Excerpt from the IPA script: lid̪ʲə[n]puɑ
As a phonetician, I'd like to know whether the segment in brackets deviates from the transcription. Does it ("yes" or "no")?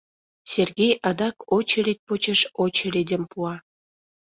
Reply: yes